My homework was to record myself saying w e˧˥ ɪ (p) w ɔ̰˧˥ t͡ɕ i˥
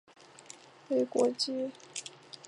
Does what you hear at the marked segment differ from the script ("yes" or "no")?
yes